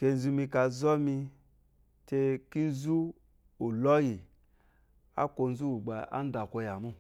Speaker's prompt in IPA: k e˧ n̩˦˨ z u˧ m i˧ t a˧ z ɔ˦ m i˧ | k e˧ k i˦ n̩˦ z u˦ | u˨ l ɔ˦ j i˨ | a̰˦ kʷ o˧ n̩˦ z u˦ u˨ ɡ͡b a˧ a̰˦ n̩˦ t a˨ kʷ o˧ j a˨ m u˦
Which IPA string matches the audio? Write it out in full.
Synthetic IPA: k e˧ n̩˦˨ z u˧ m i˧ k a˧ z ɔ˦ m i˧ | t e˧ k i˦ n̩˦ z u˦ | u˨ l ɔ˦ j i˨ | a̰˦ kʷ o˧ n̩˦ z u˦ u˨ ɡ͡b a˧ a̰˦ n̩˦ d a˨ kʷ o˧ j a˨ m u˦